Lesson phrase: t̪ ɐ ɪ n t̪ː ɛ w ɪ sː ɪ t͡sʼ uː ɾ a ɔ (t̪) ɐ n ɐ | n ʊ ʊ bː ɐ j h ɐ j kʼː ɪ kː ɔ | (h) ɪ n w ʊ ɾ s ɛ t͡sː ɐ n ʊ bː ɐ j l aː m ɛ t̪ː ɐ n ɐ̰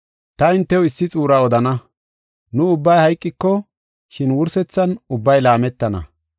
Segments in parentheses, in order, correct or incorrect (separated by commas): incorrect, incorrect